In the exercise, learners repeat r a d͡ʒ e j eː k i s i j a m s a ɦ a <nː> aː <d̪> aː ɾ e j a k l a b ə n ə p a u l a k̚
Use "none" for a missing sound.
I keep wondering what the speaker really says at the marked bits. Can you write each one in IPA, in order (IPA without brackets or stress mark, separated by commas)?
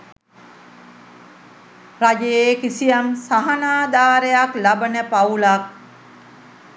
n, d̪